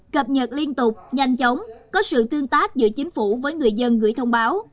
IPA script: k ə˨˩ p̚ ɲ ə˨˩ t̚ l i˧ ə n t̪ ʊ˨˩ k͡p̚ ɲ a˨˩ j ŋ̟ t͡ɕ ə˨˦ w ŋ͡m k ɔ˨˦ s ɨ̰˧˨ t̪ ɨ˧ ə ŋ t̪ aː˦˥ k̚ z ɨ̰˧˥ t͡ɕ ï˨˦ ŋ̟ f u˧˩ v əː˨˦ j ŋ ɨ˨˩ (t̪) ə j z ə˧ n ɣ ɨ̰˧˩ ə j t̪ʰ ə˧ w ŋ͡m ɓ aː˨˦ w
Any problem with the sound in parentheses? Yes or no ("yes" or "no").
yes